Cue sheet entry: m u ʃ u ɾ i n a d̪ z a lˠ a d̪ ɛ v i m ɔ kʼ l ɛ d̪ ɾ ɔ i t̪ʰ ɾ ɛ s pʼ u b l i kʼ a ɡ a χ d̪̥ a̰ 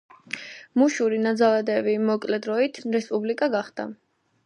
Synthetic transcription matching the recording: m u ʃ u ɾ i n a d̪ z a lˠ a d̪ ɛ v i m ɔ kʼ l ɛ d̪ ɾ ɔ i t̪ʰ ɾ ɛ s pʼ u b l i kʼ a ɡ a χ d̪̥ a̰